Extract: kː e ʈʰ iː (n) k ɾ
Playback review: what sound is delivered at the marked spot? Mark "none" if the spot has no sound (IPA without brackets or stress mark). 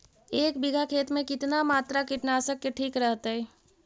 none